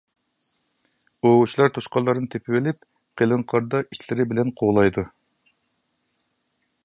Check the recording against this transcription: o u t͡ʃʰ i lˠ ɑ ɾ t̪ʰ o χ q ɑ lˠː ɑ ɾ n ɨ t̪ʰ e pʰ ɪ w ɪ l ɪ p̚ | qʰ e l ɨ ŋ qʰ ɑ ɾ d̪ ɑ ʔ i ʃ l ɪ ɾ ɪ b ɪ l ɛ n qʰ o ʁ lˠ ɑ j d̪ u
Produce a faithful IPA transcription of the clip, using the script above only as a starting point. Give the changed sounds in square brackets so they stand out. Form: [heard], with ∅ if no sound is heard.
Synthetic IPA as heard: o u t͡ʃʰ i lˠ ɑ ɾ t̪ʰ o [ʃ] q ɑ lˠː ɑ ɾ n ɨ t̪ʰ e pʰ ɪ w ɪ l ɪ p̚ | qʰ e l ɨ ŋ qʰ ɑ ɾ d̪ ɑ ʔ i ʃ l ɪ ɾ ɪ b ɪ l ɛ n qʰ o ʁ lˠ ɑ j d̪ u